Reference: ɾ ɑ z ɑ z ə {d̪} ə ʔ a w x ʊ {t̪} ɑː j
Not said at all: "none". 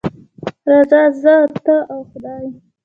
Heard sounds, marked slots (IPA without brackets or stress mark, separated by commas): t̪, d̪